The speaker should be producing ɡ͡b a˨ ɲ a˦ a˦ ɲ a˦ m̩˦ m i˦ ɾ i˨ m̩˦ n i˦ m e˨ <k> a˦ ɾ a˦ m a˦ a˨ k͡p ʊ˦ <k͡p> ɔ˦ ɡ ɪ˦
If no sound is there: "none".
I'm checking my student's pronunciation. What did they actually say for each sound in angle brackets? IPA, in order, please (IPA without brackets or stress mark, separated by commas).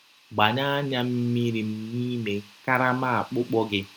k, k͡p